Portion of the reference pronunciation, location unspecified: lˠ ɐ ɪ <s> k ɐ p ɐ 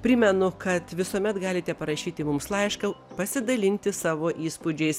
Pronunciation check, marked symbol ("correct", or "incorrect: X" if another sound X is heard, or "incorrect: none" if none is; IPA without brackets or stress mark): incorrect: ʃ